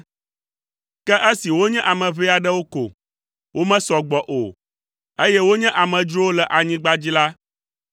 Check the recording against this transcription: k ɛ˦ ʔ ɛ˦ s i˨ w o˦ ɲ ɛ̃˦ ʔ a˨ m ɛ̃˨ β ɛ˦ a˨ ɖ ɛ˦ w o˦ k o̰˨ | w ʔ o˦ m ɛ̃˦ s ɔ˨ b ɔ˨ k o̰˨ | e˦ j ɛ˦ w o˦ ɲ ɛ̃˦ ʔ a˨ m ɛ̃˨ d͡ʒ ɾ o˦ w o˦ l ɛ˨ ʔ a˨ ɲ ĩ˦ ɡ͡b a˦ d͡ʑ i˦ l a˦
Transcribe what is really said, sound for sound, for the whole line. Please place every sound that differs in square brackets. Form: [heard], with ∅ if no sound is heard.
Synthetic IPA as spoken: k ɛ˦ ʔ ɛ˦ s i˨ w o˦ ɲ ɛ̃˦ ʔ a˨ m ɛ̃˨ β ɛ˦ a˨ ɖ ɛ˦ w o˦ k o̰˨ | w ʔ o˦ m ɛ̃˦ s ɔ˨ [ɡ͡b] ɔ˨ [ʔ] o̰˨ | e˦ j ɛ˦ w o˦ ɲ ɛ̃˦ ʔ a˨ m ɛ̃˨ d͡ʒ ɾ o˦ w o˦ l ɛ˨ ʔ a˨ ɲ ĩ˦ ɡ͡b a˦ d͡ʑ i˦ l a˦